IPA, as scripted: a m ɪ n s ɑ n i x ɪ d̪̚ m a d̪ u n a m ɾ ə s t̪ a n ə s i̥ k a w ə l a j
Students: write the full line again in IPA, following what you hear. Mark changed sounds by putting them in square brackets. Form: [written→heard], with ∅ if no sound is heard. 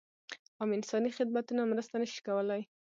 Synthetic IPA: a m ɪ n s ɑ n i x ɪ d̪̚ m a [d̪→t̪] u n a m ɾ ə s t̪ a n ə [s→ʃ] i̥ k a w ə l a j